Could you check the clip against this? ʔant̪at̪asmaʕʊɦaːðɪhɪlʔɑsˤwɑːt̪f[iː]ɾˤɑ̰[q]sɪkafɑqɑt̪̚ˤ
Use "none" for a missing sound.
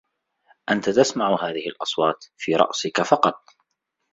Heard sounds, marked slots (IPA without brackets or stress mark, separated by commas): iː, ʔ